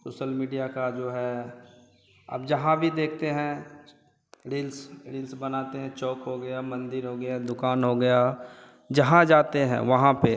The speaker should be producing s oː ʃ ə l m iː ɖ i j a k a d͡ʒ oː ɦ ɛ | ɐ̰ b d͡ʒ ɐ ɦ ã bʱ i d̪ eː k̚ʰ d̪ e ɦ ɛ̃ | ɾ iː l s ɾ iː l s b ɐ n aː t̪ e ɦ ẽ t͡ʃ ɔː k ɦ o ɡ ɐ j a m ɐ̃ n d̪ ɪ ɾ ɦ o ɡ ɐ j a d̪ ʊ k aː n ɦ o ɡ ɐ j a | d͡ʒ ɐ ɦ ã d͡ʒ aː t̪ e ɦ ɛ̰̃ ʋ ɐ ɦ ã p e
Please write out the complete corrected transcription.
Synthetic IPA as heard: s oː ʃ ə l m iː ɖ i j a k a d͡ʒ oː ɦ ɛ | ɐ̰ b d͡ʒ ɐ ɦ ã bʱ i d̪ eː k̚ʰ t̪ e ɦ ɛ̃ | ɾ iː l s ɾ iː l s b ɐ n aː t̪ e ɦ ɛ̃ t͡ʃ ɔː k ɦ o ɡ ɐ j a m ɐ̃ n d̪ ɪ ɾ ɦ o ɡ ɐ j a d̪ ʊ k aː n ɦ o ɡ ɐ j a | d͡ʒ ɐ ɦ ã d͡ʒ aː t̪ e ɦ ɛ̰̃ ʋ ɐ ɦ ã p e